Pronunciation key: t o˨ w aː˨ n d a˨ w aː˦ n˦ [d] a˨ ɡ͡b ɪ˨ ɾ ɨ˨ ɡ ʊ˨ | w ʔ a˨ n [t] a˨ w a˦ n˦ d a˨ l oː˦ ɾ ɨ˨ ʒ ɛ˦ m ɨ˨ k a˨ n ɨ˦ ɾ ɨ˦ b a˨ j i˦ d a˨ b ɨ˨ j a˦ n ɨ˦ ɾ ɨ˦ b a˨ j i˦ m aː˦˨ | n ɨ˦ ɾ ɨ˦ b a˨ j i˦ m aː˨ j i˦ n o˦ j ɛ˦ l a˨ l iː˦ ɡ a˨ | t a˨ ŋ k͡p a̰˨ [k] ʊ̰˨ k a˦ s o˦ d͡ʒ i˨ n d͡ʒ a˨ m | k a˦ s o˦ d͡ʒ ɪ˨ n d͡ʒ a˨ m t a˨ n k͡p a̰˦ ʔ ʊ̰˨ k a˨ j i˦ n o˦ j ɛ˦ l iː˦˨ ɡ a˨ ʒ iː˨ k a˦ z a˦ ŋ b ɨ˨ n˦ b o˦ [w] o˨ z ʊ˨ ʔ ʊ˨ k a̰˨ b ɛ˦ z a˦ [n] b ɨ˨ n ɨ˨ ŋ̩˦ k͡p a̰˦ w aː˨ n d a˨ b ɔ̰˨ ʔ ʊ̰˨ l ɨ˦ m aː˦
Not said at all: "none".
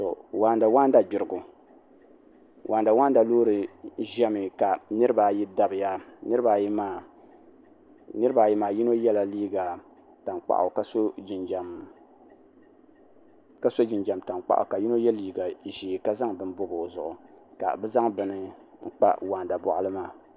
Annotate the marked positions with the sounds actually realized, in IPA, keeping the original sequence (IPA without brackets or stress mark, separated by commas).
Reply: d, d, ʔ, b, ŋ